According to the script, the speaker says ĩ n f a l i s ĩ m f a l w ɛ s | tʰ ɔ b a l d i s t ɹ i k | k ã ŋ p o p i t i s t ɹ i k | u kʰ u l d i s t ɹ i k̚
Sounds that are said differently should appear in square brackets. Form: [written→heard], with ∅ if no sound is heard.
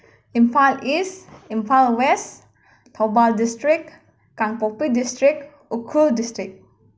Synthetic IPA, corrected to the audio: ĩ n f a l i s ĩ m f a l w ɛ s | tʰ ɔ b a l d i s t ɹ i k | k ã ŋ p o p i [t→d] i s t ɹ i k | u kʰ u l d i s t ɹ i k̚